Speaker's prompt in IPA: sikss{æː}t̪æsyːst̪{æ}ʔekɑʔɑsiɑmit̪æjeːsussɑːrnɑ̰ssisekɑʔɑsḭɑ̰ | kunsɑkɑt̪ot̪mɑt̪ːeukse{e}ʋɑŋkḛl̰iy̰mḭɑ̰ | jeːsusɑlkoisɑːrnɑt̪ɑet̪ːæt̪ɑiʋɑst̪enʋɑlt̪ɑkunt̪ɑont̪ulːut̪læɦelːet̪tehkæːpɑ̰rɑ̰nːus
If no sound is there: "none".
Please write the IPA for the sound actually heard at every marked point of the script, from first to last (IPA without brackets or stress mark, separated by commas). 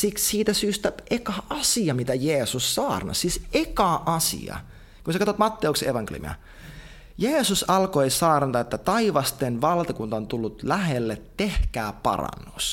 iː, æ, e